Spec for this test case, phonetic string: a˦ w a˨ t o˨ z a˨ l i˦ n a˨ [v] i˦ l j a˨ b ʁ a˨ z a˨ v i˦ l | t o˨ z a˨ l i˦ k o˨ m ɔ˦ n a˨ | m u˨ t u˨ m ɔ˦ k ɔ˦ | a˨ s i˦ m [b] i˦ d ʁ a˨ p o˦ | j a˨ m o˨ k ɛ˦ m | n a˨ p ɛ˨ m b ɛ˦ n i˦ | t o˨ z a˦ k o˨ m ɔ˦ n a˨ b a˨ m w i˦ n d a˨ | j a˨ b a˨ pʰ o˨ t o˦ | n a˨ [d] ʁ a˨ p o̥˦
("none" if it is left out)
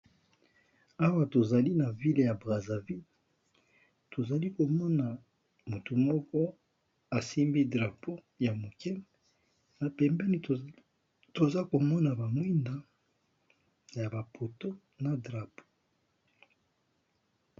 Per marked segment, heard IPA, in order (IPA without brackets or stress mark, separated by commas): v, b, d